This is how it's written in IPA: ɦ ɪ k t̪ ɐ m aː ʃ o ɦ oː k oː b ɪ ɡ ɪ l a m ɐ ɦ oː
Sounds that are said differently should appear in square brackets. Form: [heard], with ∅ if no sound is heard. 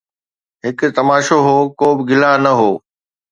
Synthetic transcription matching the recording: ɦ ɪ k t̪ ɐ m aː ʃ o ɦ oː k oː b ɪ ɡ ɪ l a [n] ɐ ɦ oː